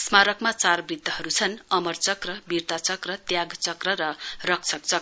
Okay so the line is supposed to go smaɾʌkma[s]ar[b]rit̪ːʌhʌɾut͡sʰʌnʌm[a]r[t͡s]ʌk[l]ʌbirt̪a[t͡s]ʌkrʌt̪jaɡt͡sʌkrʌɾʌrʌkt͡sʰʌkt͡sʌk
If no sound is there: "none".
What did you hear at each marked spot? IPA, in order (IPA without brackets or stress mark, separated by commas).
t͡s, b, ʌ, t͡s, r, t͡s